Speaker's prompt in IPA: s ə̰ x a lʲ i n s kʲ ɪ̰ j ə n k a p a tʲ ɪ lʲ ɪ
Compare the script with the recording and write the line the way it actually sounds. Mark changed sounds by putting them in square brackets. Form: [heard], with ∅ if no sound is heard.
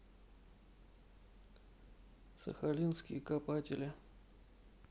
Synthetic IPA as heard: s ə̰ x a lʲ i n s kʲ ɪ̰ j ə [∅] k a p a tʲ ɪ lʲ ɪ